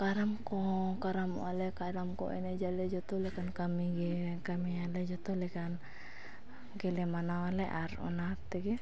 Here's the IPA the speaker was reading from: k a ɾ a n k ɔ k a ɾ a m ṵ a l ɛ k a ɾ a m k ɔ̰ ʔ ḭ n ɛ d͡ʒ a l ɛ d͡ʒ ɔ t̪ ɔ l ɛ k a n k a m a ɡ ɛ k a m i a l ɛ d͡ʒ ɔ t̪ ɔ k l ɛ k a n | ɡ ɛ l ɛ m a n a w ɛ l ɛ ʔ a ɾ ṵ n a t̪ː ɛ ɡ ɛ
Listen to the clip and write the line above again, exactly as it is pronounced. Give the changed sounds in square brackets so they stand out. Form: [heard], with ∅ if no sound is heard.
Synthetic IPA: k a ɾ a [m] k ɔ k a ɾ a m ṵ a l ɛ k a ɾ a m k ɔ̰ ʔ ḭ n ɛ d͡ʒ a l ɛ d͡ʒ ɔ t̪ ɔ l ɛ k a n k a m [i] ɡ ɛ k a m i a l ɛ d͡ʒ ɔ t̪ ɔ [∅] l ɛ k a n | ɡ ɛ l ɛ m a n a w [a] l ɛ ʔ a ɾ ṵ n a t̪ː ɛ ɡ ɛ